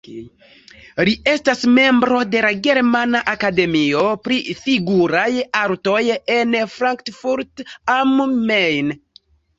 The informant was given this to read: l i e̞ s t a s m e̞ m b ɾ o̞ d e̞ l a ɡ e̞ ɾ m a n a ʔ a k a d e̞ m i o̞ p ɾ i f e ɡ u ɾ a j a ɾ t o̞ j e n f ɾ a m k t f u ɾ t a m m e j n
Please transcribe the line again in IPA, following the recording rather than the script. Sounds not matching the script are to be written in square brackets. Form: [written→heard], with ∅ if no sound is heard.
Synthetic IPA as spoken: l i e̞ s t a s m e̞ m b ɾ o̞ d e̞ l a ɡ e̞ ɾ m a n a ʔ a k a d e̞ m i o̞ p ɾ i f [e→i] ɡ u ɾ a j a ɾ t o̞ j e n f ɾ a [m→ŋ] k t f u ɾ t a m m e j n